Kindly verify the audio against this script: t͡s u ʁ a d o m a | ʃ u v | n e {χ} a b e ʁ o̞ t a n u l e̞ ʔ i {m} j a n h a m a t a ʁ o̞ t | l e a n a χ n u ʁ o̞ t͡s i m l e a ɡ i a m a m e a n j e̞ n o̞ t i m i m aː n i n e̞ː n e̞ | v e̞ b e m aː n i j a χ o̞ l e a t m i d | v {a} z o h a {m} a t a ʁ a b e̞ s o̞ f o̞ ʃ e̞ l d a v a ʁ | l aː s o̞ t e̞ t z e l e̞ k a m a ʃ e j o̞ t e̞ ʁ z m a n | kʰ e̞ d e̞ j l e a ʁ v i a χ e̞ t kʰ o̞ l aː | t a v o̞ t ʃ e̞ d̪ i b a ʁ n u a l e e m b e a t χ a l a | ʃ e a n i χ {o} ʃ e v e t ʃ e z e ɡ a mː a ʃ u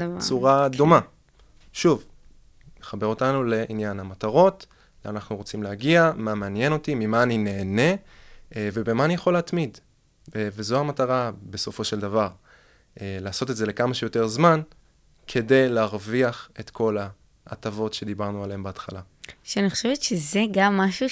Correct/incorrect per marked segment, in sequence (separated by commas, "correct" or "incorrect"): correct, incorrect, incorrect, correct, correct